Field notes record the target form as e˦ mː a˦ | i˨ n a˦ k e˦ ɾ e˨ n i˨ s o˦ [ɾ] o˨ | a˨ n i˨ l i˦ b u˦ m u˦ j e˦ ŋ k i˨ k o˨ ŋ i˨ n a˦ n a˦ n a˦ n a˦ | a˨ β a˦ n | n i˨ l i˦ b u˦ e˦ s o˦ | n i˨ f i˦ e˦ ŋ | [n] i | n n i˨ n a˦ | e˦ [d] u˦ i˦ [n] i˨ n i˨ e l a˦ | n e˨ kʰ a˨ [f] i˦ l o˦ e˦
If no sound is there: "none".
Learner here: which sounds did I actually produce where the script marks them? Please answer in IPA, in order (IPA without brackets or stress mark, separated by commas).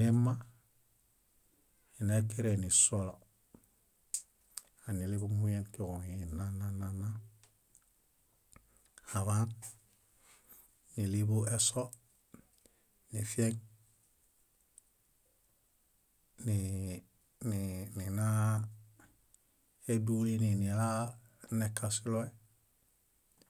l, n, d, n, s